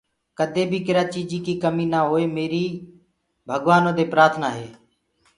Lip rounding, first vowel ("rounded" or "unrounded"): unrounded